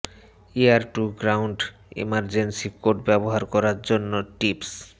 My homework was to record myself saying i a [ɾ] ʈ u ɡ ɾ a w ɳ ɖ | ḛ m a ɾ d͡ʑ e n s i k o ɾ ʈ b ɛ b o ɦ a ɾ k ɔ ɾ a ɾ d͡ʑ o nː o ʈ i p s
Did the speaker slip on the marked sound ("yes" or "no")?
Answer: no